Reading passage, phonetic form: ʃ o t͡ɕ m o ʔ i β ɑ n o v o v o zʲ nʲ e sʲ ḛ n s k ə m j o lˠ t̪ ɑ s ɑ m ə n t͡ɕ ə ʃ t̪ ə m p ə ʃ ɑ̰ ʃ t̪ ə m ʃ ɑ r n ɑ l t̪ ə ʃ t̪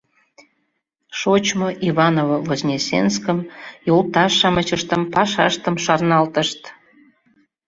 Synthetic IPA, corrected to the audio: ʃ o t͡ɕ m o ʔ i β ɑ n o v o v o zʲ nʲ e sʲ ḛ n s k ə m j o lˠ t̪ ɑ ʃ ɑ m ə t͡ɕ ə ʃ t̪ ə m p ɑ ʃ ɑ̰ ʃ t̪ ə m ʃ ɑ r n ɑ l t̪ ə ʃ t̪